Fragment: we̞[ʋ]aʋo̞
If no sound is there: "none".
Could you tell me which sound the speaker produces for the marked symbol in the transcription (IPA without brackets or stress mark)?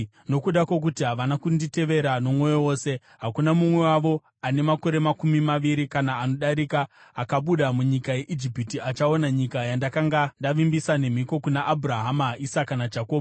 w